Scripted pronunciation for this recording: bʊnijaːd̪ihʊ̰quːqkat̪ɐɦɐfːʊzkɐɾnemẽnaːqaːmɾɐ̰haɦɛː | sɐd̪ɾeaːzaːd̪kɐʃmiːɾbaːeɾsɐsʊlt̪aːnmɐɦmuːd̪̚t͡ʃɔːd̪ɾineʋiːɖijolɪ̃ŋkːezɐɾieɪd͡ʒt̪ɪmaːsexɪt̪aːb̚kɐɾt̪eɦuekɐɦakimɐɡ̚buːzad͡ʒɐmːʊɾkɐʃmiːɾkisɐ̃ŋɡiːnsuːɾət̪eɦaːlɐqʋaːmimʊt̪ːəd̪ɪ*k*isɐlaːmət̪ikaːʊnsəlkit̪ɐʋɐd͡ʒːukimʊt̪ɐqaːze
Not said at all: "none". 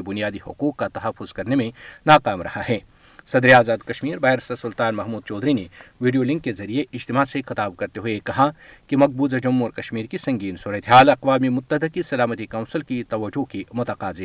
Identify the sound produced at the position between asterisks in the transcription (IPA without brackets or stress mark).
k